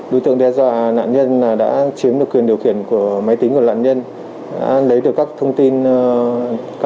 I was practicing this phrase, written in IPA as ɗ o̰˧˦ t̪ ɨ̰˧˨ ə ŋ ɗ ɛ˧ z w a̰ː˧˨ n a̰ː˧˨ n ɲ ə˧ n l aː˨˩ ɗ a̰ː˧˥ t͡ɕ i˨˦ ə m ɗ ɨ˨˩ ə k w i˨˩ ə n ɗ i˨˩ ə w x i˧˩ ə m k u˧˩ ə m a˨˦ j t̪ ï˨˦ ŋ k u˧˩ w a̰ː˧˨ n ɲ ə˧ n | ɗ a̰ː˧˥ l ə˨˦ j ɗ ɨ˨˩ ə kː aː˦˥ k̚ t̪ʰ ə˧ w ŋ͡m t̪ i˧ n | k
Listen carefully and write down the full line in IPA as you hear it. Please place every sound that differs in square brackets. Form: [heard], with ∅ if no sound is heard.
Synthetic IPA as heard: ɗ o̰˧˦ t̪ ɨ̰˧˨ ə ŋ ɗ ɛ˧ z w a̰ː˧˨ n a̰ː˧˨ n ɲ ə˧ n l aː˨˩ ɗ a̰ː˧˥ t͡ɕ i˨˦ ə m ɗ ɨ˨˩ ə k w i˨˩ ə n ɗ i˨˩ ə w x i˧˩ ə [n] k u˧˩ ə m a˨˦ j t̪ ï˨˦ ŋ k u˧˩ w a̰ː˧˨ n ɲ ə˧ n | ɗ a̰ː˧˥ l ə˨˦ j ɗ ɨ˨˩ ə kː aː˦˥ k̚ t̪ʰ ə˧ w ŋ͡m t̪ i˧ n | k